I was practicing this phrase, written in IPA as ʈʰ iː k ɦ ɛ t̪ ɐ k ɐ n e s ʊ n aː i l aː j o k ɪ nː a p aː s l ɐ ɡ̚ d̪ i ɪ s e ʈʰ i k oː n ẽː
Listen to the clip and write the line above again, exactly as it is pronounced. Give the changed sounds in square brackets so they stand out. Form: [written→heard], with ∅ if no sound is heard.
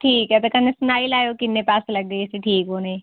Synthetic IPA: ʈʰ iː k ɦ ɛ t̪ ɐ k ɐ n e s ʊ n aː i l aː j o k ɪ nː [a→e] p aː s l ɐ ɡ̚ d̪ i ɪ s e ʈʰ [i→iː] k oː n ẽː